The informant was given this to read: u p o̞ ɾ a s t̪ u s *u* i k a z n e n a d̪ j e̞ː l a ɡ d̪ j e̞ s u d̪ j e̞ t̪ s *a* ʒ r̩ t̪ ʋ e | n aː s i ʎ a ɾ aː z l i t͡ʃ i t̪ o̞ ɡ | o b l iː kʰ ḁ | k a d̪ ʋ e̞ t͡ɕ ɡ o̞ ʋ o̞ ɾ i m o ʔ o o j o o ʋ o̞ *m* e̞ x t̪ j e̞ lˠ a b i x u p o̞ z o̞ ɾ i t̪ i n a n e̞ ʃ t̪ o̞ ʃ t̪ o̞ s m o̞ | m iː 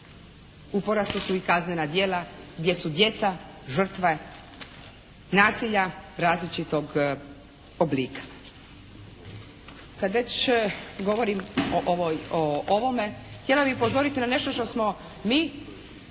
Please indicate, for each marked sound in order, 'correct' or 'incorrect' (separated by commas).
correct, correct, correct